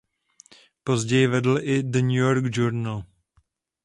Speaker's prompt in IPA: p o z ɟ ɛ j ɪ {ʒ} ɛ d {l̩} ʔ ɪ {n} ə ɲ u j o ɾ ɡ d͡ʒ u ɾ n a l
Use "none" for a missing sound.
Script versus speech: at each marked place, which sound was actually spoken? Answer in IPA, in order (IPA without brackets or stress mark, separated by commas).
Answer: v, l̩, d